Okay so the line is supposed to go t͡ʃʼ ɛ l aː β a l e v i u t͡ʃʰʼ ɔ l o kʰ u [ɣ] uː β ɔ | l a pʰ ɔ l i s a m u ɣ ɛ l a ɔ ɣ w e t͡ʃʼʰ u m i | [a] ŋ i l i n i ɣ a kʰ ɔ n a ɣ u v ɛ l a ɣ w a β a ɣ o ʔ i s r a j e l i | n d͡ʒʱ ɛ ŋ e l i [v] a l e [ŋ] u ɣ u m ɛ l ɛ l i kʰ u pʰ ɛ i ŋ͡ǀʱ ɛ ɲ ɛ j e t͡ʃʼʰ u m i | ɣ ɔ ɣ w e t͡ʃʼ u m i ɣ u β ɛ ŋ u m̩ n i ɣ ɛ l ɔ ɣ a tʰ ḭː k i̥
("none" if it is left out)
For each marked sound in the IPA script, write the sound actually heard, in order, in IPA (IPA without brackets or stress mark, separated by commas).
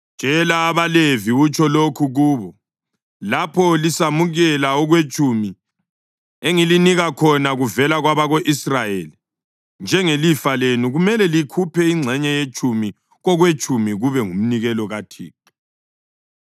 ɣ, e, f, n